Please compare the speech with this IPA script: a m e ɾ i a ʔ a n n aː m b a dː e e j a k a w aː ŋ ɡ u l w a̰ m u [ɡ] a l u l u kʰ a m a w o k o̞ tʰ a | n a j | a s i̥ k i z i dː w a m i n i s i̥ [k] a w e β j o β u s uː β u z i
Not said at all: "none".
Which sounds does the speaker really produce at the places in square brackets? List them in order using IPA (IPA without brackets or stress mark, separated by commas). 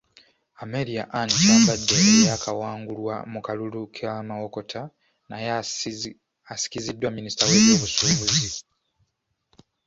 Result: k, t